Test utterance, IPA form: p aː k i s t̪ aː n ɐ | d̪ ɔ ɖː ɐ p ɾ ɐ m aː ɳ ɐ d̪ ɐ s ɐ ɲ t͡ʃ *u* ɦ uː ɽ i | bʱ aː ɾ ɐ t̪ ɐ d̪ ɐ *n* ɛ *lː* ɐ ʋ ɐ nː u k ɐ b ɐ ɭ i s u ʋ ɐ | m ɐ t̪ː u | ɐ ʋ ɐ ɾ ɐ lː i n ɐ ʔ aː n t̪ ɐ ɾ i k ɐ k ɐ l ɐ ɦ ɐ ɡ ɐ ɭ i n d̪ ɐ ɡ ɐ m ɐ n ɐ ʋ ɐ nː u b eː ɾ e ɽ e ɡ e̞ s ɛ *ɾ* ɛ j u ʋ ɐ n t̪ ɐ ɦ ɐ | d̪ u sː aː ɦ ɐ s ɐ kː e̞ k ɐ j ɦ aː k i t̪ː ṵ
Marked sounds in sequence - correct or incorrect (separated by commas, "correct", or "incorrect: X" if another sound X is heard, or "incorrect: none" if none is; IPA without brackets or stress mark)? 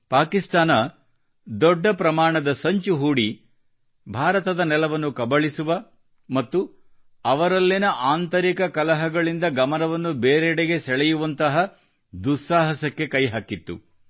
correct, correct, incorrect: l, incorrect: ɭ